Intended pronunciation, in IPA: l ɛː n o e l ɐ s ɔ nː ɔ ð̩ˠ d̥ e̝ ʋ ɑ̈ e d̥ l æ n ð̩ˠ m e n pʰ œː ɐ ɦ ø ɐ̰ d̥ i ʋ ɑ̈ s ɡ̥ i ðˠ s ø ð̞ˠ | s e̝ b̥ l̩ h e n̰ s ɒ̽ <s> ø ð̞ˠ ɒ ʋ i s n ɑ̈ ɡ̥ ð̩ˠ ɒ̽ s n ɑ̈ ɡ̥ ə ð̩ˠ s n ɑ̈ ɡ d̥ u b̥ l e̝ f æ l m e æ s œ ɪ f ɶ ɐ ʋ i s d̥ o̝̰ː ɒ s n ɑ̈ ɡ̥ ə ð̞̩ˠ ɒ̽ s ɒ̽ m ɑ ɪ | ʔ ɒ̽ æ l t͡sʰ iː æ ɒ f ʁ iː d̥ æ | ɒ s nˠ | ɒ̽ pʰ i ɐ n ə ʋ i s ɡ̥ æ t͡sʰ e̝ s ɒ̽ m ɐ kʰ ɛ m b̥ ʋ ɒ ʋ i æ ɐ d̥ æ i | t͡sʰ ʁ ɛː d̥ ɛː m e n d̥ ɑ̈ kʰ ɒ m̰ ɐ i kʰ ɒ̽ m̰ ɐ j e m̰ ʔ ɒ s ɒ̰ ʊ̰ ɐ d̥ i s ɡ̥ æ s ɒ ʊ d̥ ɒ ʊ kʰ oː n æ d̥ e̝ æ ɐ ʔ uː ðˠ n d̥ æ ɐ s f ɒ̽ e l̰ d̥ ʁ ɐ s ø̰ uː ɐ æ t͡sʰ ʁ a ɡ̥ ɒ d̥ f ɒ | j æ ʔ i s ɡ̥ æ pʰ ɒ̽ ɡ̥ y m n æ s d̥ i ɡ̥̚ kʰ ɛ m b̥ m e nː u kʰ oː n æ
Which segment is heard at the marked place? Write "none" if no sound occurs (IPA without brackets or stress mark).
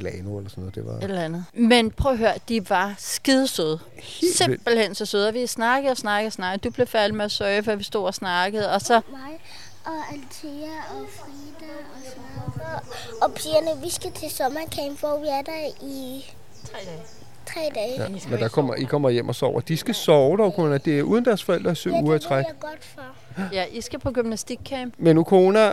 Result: s